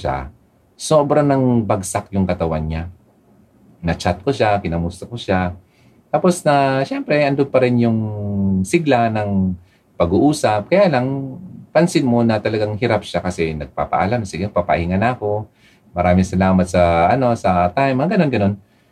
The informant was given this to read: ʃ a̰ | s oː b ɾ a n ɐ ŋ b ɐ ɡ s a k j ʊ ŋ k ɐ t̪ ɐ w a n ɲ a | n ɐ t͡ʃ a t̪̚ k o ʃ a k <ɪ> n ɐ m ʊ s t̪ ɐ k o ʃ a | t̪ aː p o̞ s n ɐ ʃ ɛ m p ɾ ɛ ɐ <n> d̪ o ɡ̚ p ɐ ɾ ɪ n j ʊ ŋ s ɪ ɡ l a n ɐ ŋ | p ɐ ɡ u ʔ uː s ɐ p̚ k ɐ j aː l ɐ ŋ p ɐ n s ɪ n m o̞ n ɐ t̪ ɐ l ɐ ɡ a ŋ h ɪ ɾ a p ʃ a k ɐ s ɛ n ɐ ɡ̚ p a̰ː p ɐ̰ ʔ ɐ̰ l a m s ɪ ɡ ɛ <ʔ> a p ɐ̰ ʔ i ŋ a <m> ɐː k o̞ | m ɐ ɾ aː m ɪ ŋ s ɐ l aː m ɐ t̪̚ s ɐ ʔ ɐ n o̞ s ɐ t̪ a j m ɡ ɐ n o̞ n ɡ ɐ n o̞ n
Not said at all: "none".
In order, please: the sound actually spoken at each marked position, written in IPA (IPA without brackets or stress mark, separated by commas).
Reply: ɪ, n, p, n